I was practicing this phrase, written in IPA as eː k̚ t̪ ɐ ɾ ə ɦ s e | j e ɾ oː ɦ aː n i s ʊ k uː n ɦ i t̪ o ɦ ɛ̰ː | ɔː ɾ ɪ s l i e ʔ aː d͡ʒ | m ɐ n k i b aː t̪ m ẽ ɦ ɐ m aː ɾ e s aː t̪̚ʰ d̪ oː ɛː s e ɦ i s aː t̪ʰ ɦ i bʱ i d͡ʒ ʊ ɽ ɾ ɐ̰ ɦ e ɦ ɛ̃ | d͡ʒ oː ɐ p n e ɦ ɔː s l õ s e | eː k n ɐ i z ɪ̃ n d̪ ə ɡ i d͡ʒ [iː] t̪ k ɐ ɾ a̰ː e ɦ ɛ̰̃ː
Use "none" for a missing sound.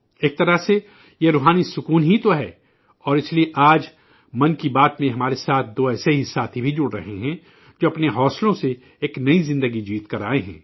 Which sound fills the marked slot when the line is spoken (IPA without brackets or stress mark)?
iː